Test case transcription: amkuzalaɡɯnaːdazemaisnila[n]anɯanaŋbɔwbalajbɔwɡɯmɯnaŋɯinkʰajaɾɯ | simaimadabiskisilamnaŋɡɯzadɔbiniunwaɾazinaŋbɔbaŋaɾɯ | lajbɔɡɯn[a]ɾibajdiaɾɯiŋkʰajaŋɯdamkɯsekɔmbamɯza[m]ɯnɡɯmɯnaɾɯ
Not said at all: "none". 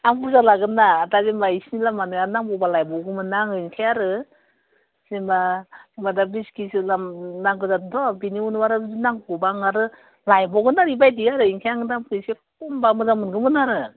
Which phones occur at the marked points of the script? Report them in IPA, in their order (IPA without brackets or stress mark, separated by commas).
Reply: m, a, m